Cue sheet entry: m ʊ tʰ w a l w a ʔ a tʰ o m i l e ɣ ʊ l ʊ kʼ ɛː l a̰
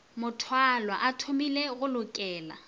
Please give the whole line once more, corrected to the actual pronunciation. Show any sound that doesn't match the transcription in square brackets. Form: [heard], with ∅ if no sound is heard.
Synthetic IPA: m ʊ tʰ w a l w a ʔ a tʰ o m i l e ɣ ʊ l ʊ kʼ ɛː l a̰

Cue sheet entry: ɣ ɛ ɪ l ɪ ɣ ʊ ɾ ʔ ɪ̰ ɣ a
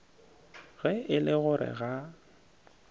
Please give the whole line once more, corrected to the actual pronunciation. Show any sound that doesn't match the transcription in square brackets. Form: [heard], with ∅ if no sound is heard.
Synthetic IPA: ɣ ɛ ɪ l ɪ ɣ ʊ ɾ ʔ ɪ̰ ɣ a

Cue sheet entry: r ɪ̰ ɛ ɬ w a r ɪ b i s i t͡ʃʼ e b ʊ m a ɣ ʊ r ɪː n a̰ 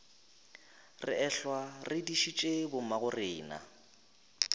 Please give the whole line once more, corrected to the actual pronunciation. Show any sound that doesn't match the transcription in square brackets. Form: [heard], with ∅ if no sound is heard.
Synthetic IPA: r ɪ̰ ɛ ɬ w a r ɪ [d] i [ʃ] i t͡ʃʼ e b ʊ m a ɣ ʊ r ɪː n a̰

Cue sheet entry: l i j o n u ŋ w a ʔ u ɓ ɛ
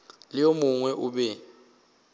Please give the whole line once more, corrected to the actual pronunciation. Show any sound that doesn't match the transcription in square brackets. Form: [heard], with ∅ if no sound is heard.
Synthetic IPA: l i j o [m] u ŋ w [ɛ] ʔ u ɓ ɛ

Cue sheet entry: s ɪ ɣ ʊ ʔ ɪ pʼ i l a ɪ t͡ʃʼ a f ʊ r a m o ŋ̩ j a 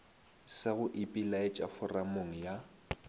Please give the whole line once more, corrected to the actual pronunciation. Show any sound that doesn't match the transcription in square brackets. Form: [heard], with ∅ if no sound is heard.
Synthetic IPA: s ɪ ɣ ʊ ʔ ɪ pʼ i l a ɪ t͡ʃʼ a f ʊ r a m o ŋ̩ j a

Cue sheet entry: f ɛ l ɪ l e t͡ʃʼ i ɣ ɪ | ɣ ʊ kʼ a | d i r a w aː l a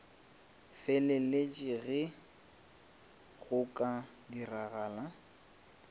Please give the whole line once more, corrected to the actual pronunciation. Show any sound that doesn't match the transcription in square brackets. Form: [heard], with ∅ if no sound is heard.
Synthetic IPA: f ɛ l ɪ l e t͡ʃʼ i ɣ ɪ | ɣ ʊ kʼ a | d i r a [ɣ] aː l a

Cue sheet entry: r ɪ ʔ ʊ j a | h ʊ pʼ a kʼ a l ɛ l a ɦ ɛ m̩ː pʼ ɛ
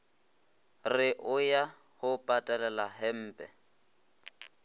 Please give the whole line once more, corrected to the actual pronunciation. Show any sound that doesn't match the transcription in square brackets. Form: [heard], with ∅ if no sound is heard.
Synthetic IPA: r ɪ ʔ ʊ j a | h ʊ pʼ a [tʼ] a l ɛ l a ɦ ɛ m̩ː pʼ ɛ

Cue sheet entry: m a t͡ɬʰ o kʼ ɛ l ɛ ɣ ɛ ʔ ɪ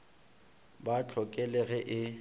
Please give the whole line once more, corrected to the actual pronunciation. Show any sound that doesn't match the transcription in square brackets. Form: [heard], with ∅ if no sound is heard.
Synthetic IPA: [b] a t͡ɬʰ [ɔ] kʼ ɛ l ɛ ɣ ɛ ʔ ɪ

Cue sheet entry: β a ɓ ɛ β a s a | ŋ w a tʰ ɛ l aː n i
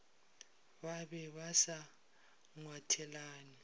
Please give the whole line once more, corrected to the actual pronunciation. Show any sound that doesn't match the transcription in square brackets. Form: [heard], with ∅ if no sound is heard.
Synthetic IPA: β a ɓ ɛ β a s a | ŋ w a tʰ ɛ l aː n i

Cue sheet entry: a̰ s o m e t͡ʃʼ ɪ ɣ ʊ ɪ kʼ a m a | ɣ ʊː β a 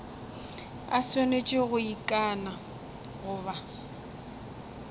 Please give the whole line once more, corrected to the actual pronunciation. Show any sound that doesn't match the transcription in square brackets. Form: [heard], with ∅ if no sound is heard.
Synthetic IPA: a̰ s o [n] e t͡ʃʼ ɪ ɣ ʊ [i] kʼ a [n] a | ɣ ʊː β a

